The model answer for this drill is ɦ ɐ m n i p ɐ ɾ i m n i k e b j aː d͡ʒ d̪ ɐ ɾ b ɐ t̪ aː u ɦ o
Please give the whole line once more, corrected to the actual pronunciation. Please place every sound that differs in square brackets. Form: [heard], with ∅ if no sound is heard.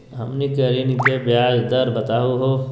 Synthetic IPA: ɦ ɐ m n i [k] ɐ ɾ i [∅] n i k e b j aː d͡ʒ d̪ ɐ ɾ b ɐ t̪ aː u ɦ o

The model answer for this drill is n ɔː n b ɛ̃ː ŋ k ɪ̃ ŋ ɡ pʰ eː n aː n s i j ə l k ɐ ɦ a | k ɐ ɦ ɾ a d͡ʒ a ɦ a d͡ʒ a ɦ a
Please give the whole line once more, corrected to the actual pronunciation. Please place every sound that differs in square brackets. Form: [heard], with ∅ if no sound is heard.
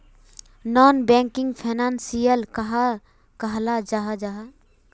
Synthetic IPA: n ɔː n b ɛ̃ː ŋ k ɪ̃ ŋ ɡ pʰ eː n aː n s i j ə l k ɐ ɦ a | k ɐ ɦ [l] a d͡ʒ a ɦ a d͡ʒ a ɦ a

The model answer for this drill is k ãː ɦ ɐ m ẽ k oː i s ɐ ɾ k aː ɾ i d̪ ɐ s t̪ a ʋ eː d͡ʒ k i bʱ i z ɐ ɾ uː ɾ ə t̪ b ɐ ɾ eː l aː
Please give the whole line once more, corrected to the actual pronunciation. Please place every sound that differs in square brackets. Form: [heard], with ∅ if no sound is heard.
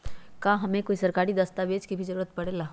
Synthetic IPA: k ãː ɦ ɐ m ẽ k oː i s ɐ ɾ k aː ɾ i d̪ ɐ s t̪ a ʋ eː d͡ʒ k i bʱ i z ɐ ɾ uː ɾ ə t̪ [p] ɐ [ɽ] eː l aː

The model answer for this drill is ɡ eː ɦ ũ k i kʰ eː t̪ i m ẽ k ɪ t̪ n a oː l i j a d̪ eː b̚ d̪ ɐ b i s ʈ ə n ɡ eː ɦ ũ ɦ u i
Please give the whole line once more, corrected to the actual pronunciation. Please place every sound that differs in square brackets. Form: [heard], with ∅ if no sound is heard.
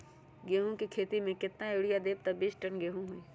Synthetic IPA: ɡ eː ɦ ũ k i kʰ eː t̪ i m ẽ k ɪ t̪ n a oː [ɽ] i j a d̪ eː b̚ [t̪] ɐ b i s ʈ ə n ɡ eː ɦ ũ ɦ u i

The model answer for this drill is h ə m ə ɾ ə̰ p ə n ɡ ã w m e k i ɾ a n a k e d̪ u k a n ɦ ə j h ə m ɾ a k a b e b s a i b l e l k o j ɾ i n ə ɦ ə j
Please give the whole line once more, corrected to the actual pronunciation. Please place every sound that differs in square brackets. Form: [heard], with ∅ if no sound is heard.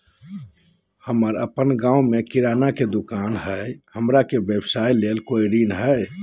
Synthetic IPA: h ə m ə ɾ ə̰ p ə n ɡ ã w m e k i ɾ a n a k e d̪ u k a n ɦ ə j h ə m ɾ a k [e] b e b s a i [∅] l e l k o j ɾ i n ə ɦ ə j

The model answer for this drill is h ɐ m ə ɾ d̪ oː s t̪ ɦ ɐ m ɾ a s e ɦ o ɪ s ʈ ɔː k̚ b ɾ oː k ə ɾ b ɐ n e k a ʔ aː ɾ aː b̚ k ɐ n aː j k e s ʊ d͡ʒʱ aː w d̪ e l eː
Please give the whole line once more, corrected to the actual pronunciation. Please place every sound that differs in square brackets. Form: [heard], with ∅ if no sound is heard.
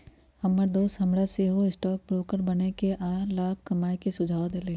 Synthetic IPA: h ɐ m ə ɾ d̪ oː s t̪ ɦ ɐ m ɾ a s e ɦ o ɪ s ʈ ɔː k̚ b ɾ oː k ə ɾ b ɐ n e k [e] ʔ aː [l] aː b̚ k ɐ [m] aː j k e s ʊ d͡ʒʱ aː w d̪ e l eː

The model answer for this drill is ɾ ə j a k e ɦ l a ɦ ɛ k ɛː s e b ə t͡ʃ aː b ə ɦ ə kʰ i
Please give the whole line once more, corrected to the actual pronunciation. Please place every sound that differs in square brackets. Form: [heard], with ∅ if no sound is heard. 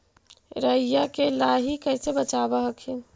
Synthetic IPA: ɾ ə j a k e [∅] l a ɦ [i] k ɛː s e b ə t͡ʃ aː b [a] ɦ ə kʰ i

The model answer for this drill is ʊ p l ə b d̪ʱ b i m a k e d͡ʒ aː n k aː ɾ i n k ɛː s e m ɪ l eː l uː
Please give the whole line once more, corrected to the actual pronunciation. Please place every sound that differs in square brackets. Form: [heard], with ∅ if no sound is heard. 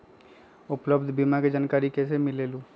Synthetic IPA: ʊ p l ə b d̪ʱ b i m a k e d͡ʒ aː n k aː ɾ i [∅] k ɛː s e m ɪ l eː l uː

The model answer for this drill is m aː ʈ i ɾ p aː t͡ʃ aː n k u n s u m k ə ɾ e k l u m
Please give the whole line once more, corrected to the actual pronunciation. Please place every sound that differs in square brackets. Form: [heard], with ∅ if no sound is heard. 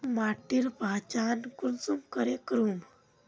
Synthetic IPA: m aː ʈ i ɾ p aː t͡ʃ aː n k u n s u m k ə ɾ e k [ɾ] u m

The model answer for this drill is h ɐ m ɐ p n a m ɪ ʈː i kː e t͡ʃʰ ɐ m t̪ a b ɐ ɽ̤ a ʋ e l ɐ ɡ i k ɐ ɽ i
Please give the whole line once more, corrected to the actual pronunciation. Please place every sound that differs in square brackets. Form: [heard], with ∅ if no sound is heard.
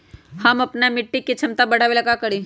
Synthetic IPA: h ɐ m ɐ p n a m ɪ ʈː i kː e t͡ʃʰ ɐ m t̪ a b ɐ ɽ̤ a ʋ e l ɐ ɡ [a] k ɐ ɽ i

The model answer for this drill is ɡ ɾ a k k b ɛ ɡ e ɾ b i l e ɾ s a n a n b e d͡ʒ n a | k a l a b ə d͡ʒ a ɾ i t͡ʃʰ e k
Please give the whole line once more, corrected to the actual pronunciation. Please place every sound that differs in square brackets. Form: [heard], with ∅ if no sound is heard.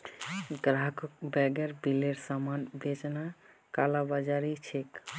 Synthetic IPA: ɡ ɾ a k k b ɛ ɡ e ɾ b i l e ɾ s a [m] a n b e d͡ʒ n a | k a l a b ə d͡ʒ a ɾ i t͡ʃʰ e k

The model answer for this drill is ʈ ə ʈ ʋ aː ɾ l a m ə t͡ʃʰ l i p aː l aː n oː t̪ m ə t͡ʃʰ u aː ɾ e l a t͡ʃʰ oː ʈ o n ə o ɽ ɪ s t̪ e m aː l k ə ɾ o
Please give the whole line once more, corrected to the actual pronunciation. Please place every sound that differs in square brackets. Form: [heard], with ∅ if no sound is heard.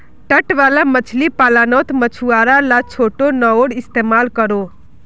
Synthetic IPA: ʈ ə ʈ ʋ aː [∅] l a m ə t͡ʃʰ l i p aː l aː n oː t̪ m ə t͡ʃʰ u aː ɾ [a] l a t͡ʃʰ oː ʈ o n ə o ɽ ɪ s t̪ e m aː l k ə ɾ o

